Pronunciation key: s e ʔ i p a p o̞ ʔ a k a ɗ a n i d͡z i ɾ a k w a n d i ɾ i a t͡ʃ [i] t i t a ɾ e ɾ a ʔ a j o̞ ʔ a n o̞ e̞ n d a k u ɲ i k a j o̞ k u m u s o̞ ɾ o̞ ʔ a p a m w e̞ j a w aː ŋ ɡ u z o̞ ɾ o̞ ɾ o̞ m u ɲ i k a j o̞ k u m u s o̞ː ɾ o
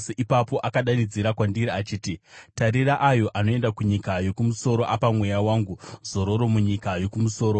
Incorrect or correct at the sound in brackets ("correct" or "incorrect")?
incorrect